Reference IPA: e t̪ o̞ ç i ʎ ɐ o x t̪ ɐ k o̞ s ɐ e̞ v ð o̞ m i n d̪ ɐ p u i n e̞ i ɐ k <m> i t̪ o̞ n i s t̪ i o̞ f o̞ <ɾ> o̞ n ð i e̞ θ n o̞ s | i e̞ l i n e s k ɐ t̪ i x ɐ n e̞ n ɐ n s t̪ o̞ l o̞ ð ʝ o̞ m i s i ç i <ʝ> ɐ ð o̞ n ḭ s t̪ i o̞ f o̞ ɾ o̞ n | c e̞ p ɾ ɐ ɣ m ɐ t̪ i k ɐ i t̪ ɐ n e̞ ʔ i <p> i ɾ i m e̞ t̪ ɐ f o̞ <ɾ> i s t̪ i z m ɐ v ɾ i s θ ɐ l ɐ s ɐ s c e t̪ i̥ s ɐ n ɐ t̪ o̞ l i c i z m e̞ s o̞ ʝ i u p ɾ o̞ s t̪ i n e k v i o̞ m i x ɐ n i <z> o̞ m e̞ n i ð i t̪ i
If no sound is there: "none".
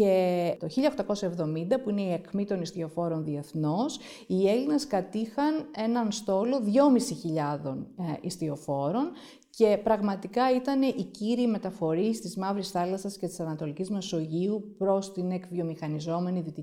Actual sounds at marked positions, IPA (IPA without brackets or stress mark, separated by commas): m, ɾ, ʎ, c, ɾ, z